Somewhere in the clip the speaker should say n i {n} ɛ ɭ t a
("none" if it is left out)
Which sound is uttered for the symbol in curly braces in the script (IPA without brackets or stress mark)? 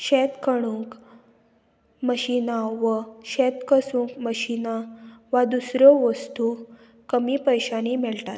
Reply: m